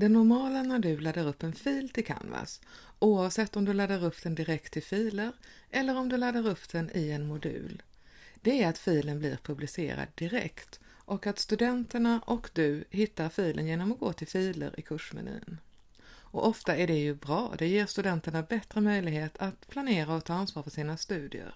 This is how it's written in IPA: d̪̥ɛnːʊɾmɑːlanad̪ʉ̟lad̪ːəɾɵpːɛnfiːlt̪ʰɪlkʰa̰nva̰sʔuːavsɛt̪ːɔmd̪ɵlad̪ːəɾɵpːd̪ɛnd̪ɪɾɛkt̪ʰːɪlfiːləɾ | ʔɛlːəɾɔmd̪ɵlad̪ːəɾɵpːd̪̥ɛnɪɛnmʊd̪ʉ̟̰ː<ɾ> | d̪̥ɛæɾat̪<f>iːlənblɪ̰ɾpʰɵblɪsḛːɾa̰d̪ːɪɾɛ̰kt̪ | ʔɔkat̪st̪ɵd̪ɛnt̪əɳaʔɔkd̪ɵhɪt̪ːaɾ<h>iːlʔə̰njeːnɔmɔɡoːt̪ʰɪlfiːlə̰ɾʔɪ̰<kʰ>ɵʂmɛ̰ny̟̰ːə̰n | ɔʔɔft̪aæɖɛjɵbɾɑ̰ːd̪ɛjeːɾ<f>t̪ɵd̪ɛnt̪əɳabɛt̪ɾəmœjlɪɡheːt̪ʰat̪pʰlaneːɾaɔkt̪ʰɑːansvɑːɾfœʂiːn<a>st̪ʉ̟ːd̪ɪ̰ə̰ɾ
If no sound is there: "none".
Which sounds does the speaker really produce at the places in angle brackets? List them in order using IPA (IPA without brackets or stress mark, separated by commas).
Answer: l, f, f, kʰ, s, a